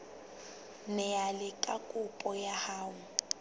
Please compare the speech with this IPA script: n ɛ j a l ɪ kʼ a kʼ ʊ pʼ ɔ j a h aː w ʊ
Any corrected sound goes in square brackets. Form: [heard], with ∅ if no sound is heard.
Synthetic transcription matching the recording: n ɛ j a l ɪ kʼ a kʼ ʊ pʼ ɔ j a h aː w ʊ